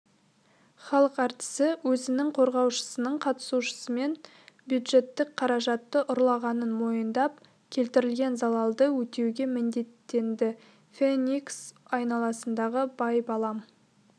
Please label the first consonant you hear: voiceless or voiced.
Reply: voiceless